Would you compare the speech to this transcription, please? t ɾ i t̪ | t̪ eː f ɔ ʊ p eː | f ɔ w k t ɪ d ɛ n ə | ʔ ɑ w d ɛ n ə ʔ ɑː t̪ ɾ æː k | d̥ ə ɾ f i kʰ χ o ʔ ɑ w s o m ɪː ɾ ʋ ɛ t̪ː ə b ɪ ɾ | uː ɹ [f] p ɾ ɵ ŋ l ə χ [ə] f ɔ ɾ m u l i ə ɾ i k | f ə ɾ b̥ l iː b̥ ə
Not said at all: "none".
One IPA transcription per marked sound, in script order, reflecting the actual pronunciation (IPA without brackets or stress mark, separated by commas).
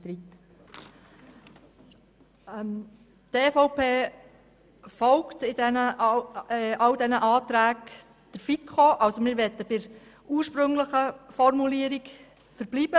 ʃ, ə